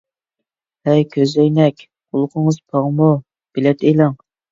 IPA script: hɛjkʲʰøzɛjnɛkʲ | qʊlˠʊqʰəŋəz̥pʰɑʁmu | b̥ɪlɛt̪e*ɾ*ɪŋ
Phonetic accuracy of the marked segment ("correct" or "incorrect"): incorrect